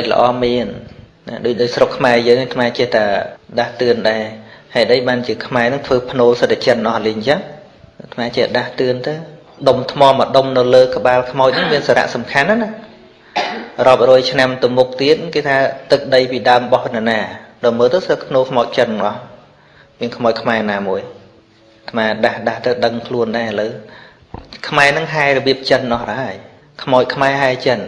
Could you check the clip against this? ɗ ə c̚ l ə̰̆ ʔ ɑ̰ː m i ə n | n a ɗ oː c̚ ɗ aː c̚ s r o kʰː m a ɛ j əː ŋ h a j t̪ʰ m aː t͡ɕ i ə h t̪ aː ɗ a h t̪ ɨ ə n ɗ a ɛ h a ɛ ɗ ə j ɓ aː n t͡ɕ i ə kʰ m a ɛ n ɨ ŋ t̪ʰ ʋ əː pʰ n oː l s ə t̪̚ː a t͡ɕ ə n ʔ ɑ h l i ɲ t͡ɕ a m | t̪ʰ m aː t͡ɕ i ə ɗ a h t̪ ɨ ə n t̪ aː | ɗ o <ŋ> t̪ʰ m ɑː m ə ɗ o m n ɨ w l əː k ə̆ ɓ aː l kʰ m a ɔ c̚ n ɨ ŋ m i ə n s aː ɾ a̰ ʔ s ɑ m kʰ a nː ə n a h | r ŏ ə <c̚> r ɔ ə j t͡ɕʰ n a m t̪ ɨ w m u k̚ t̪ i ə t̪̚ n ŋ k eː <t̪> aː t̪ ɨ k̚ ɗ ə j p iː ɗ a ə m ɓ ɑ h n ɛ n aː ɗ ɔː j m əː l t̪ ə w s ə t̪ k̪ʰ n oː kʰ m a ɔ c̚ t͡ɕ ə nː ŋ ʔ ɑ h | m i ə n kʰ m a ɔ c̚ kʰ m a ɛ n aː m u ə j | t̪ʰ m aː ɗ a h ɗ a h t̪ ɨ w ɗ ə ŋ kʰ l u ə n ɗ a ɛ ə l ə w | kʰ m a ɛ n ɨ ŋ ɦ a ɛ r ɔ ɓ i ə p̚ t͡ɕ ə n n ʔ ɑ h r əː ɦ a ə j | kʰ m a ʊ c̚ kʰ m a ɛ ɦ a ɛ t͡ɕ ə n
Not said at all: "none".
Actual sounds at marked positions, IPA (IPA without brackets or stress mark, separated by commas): m, p̚, t̪ʰ